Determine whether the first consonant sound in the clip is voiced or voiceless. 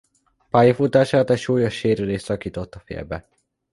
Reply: voiceless